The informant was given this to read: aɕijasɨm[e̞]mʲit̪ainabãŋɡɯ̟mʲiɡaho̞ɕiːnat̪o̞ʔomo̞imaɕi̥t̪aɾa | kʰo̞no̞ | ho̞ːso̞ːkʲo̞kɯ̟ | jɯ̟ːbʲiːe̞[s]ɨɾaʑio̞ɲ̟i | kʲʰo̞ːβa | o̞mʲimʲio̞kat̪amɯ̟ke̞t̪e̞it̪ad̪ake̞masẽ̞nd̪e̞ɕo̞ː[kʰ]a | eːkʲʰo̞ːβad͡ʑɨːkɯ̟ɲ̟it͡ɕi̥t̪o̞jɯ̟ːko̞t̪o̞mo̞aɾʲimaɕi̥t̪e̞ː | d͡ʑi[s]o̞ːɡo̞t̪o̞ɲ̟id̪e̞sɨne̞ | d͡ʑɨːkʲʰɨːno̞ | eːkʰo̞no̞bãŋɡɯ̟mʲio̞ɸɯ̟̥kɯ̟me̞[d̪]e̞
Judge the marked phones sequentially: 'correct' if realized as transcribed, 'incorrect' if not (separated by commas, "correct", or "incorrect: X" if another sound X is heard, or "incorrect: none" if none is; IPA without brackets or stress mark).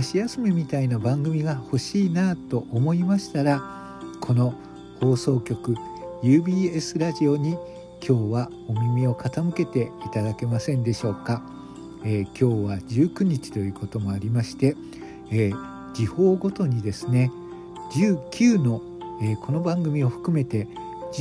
correct, correct, incorrect: k, incorrect: h, incorrect: t̪